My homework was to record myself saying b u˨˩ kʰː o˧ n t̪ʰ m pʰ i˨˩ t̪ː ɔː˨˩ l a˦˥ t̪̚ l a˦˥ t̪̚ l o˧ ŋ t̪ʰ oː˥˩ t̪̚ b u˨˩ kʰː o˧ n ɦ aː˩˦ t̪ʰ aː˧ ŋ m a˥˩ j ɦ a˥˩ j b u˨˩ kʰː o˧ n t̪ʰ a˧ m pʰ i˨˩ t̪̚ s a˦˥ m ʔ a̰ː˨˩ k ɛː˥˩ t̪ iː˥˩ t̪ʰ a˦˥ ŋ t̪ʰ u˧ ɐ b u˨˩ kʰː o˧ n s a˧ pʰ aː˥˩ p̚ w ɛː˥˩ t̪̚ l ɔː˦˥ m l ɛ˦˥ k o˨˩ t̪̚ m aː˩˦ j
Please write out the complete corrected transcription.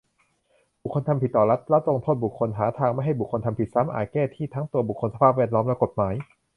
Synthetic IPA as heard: b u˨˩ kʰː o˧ n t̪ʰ m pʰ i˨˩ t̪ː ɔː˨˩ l a˦˥ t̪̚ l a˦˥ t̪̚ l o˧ ŋ t̪ʰ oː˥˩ t̪̚ b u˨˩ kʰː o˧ n ɦ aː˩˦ t̪ʰ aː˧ ŋ m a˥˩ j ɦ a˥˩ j b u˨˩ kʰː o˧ n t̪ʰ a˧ m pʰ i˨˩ t̪̚ s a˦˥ m ʔ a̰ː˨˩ k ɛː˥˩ t̪ʰ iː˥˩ t̪ʰ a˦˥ ŋ t̪ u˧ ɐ b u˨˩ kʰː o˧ n s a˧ pʰ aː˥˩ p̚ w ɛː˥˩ t̪̚ l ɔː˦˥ m l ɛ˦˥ k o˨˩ t̪̚ m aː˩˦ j